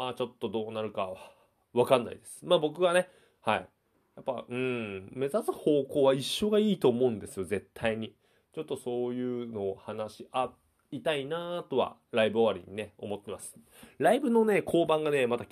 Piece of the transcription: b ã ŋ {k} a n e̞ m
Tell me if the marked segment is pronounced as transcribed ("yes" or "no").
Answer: no